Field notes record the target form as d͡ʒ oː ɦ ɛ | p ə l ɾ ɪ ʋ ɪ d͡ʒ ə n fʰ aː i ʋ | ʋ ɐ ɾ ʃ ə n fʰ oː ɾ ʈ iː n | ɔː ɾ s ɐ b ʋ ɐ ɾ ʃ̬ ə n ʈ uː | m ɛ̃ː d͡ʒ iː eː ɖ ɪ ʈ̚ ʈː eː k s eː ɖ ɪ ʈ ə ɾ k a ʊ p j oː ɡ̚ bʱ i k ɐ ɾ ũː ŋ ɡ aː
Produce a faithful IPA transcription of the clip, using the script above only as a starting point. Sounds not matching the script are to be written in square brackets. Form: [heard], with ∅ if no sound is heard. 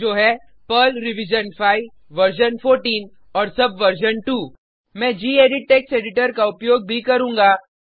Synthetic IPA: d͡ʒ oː ɦ ɛ | p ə l ɾ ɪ ʋ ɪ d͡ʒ ə n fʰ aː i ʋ | ʋ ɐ ɾ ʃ ə n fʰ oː ɾ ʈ iː n | ɔː ɾ s ɐ b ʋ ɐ ɾ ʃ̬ ə n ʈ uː | m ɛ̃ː d͡ʒ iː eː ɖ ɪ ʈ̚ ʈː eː k s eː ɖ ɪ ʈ ə ɾ k a ʊ p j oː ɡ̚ bʱ i k ɐ ɾ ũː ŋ ɡ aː